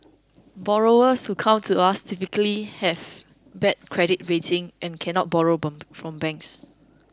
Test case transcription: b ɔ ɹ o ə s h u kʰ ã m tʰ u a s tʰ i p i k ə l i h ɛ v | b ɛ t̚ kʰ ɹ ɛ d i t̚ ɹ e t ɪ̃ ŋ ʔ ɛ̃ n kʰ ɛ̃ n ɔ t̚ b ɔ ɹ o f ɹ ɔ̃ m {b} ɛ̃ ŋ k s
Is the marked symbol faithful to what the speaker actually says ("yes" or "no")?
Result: yes